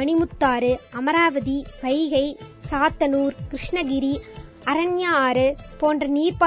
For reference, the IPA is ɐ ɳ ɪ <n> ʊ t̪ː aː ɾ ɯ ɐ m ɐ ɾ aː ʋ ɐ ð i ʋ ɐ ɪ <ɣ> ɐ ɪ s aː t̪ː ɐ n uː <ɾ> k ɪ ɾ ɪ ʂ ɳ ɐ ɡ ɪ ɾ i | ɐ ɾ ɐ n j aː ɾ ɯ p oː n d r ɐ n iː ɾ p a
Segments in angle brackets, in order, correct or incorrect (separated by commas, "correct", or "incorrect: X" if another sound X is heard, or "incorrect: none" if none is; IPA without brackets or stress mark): incorrect: m, correct, correct